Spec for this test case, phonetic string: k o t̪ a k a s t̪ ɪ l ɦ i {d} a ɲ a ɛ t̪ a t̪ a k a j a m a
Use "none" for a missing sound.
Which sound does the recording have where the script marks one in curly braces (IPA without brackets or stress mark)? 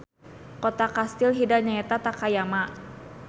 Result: d